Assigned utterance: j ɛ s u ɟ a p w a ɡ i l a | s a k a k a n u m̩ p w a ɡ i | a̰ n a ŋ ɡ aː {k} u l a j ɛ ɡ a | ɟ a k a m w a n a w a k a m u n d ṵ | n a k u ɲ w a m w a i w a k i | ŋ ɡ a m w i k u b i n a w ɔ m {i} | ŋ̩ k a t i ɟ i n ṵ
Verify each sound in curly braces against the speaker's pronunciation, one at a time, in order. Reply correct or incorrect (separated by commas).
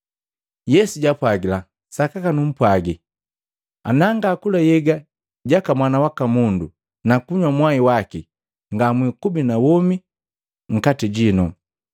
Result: correct, correct